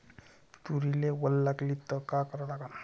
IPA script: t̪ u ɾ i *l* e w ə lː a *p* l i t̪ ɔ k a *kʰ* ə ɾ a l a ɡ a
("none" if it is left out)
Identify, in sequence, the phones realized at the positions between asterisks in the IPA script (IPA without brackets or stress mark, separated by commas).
l, k, k